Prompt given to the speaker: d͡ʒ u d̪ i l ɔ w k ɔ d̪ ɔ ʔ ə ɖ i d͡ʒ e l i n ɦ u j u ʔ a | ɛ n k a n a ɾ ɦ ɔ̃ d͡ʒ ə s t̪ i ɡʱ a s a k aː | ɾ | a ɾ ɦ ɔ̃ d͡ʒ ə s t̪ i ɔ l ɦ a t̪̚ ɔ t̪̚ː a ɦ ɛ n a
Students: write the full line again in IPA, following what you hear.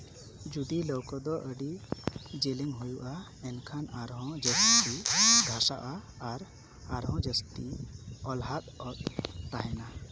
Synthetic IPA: d͡ʒ u d̪ i l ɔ w k ɔ d̪ ɔ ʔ ə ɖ i d͡ʒ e l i ŋ ɦ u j u ʔ a | ɛ n kʰ a n a ɾ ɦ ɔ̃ d͡ʒ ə s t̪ i ɡʱ a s a ʔ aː | ɾ | a ɾ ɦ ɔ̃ d͡ʒ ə s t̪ i ɔ l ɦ a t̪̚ ɔ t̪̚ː a ɦ ɛ n a